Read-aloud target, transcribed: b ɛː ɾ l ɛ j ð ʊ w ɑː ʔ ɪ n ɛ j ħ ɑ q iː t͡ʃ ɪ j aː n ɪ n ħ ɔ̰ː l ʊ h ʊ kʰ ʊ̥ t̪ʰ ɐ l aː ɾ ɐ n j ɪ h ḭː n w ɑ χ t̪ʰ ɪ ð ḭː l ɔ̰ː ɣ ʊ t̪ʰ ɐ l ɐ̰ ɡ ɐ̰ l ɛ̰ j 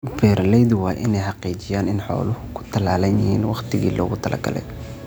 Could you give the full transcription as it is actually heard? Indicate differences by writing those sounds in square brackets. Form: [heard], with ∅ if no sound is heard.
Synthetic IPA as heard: b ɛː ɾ l ɛ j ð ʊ w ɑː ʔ ɪ n ɛ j ħ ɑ q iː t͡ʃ ɪ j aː n ɪ n ħ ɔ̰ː l ʊ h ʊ kʰ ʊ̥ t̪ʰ ɐ l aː [l] ɐ n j ɪ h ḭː n w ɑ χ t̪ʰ ɪ [ɣ] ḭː l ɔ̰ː ɣ ʊ t̪ʰ ɐ l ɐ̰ ɡ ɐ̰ l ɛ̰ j